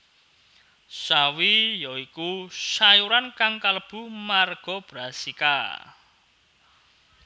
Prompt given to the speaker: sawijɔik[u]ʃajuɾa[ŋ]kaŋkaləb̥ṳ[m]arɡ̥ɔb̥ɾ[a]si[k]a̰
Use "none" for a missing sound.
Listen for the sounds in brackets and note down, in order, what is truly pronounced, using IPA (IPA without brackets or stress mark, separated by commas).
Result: u, n, m, a, k